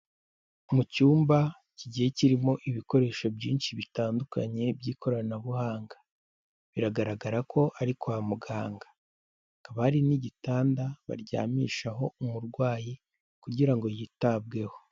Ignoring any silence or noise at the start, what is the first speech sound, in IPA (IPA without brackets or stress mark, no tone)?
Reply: m